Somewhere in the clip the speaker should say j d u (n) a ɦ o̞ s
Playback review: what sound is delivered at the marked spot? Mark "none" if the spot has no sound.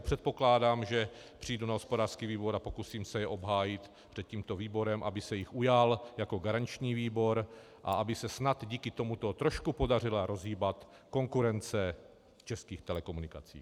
n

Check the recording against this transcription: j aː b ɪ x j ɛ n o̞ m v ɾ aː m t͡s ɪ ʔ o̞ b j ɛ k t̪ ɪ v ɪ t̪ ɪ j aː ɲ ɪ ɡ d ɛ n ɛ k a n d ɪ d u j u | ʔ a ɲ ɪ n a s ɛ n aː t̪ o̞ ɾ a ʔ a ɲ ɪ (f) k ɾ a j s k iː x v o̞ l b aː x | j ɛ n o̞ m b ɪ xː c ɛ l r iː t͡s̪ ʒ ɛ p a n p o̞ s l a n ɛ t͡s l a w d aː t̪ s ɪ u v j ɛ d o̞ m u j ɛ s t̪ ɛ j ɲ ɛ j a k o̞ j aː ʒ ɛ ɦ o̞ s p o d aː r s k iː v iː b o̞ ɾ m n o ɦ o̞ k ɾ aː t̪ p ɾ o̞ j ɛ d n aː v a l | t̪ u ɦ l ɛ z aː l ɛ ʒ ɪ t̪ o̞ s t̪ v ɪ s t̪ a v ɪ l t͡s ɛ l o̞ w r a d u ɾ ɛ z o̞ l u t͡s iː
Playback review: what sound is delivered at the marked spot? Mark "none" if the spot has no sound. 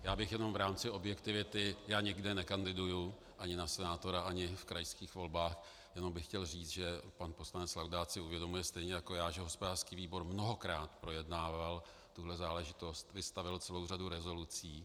f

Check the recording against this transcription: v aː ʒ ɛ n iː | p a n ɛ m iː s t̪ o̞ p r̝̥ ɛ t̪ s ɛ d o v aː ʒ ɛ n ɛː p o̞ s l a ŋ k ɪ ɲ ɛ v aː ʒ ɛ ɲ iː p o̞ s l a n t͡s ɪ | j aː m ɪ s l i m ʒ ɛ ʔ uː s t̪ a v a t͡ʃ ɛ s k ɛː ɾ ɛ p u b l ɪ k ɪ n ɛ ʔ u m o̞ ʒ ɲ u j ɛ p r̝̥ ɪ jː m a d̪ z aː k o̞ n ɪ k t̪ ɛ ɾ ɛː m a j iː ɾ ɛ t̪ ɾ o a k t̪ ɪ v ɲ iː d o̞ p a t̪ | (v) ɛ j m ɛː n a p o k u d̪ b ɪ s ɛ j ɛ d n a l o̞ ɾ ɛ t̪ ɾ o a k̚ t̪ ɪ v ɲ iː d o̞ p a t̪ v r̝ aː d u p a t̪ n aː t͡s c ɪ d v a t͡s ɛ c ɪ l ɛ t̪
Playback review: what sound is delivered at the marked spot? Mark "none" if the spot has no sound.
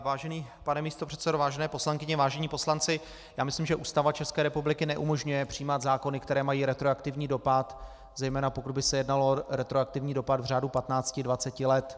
z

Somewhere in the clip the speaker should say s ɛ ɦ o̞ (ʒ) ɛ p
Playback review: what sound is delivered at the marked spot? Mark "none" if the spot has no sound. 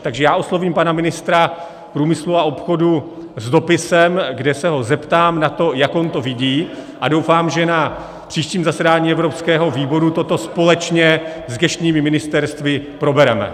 z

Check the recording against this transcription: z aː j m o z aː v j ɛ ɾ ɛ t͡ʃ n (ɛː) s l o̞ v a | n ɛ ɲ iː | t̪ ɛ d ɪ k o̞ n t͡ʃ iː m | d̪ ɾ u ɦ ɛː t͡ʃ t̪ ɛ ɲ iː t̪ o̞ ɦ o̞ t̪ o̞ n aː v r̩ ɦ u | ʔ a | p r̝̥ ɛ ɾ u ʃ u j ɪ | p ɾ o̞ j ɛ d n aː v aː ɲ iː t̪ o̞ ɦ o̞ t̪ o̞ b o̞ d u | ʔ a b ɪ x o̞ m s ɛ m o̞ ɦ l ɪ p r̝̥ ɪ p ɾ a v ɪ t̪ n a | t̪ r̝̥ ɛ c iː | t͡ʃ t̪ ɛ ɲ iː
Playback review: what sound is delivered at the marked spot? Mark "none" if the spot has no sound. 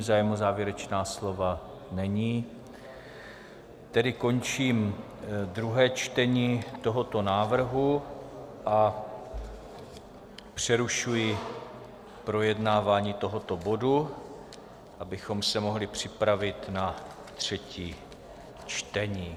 aː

